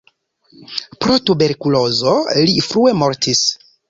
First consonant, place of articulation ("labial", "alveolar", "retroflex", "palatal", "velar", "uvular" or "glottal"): labial